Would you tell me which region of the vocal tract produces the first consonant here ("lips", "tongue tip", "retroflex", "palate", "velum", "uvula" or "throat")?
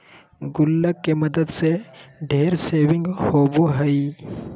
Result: velum